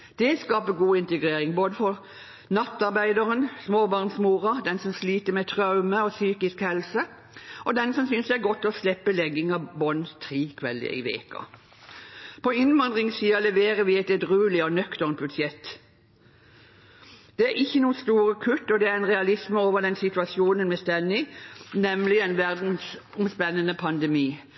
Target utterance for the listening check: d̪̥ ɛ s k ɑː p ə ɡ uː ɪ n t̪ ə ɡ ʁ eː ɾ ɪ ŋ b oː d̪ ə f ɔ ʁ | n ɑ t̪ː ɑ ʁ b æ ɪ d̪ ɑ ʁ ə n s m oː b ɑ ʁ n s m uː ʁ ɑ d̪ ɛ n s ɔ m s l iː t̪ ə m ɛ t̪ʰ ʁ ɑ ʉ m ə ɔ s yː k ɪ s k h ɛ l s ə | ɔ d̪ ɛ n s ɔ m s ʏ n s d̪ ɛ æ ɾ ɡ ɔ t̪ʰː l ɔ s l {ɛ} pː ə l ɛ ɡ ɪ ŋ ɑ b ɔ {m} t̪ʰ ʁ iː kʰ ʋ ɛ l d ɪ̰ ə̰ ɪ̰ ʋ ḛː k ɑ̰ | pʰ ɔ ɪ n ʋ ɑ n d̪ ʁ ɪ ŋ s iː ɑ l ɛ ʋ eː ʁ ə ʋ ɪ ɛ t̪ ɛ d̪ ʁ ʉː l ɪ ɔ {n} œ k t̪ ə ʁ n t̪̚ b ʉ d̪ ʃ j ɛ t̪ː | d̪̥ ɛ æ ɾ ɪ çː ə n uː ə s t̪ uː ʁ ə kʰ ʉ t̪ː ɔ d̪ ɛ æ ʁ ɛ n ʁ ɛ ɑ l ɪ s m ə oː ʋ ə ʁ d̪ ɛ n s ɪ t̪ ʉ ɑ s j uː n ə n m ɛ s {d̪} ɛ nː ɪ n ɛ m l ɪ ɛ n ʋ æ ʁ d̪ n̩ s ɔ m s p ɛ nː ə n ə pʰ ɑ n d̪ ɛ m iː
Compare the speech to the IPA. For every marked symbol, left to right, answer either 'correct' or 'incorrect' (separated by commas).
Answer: correct, incorrect, correct, incorrect